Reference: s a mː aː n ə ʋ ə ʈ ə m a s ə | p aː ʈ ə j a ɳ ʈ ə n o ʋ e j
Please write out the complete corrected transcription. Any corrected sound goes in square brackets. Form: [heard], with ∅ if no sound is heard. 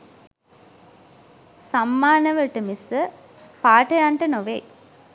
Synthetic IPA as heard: s a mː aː n ə ʋ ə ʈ ə m [i] s ə | p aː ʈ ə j a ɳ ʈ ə n o ʋ e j

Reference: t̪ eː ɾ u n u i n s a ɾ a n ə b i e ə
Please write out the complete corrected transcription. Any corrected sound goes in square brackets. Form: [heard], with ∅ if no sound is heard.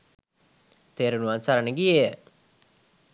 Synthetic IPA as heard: t̪ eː ɾ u n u [a] n s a ɾ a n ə [ɡ] i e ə

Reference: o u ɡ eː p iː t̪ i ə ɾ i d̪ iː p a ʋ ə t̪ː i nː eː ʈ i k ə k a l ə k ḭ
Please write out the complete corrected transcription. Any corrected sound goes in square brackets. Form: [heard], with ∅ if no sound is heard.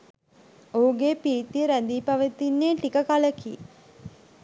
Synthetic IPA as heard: o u ɡ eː p iː t̪ i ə ɾ [æ] d̪ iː p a ʋ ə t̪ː i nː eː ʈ i k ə k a l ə k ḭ

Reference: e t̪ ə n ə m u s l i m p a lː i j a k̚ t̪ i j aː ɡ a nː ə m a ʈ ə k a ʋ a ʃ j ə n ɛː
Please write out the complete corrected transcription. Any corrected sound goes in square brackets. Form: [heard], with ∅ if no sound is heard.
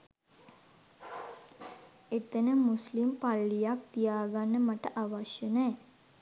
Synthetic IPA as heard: e t̪ ə n ə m u s l i m p a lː i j a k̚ t̪ i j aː ɡ a nː ə m a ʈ ə [ʔ] a ʋ a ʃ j ə n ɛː

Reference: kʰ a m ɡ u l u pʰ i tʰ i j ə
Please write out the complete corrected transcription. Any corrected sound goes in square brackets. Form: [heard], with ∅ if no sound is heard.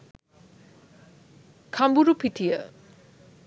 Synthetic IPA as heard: kʰ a m [b] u [ɾ] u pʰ i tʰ i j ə

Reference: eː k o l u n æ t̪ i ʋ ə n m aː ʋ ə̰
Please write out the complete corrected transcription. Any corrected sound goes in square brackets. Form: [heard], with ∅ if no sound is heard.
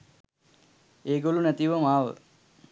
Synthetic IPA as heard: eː [ɡ] o l u n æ t̪ i ʋ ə [∅] m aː ʋ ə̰

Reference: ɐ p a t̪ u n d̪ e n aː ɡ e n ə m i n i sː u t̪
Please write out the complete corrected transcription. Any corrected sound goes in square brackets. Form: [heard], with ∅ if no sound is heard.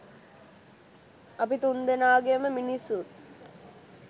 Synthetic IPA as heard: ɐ p [i] t̪ u n d̪ e n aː ɡ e [m] ə m i n i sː u t̪

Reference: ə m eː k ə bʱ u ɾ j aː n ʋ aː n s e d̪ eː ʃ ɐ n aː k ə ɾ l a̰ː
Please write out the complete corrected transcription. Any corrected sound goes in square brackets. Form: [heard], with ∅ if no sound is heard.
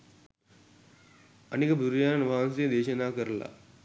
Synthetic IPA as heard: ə [n] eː k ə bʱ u ɾ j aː n ʋ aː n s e d̪ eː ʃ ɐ n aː k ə ɾ l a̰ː

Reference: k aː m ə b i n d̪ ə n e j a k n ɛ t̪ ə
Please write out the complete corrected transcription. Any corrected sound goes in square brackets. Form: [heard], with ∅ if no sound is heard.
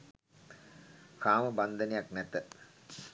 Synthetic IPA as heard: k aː m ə b [a] n d̪ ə n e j a k n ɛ t̪ ə

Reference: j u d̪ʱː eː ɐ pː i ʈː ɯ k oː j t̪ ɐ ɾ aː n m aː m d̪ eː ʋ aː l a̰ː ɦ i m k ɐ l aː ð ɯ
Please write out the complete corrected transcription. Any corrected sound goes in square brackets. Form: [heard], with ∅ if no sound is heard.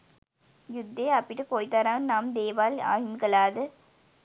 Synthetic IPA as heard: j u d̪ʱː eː ɐ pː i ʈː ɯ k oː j t̪ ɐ ɾ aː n [n] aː m d̪ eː ʋ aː l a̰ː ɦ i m k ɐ l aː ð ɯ

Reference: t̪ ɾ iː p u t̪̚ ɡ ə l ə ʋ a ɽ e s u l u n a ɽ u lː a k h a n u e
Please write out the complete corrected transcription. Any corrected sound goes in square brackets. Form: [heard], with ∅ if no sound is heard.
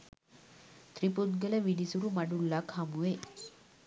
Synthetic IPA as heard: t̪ ɾ [i] p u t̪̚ ɡ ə l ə ʋ [i] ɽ [i] s u [ɾ] u [m] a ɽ u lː a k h a [m] u e

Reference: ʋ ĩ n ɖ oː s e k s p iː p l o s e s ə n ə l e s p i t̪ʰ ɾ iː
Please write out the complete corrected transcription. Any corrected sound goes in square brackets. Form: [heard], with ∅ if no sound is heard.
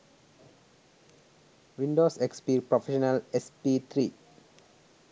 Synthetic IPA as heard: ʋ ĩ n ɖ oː s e k s p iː p [ɾ] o [f] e [ʃ] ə n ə l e s p i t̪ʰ ɾ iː

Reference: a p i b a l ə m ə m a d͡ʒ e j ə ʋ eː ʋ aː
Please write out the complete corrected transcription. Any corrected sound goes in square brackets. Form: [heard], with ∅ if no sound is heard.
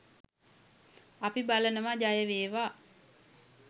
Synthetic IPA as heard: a p i b a l ə [n] ə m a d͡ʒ [a] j ə ʋ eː ʋ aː

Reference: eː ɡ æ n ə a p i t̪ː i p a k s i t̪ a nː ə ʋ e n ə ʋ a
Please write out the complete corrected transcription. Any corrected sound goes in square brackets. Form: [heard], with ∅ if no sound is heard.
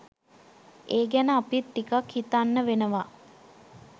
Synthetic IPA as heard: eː ɡ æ n ə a p i t̪ː i [k] a k [h] i t̪ a nː ə ʋ e n ə ʋ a

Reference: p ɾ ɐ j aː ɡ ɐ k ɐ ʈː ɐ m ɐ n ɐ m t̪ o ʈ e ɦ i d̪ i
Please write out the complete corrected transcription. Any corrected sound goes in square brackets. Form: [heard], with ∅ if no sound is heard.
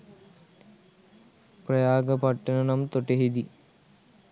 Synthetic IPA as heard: p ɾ ɐ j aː ɡ ɐ [p] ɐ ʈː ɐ [n] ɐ n ɐ m t̪ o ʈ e ɦ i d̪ i

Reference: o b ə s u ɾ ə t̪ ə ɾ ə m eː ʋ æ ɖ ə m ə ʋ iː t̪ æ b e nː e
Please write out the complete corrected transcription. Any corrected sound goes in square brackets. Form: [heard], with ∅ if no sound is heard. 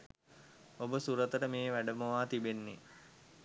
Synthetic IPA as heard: o b ə s u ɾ ə t̪ ə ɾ ə m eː ʋ æ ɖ ə m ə ʋ [aː] t̪ [i] b e nː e

